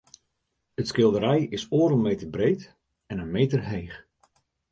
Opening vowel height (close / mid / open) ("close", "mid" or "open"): mid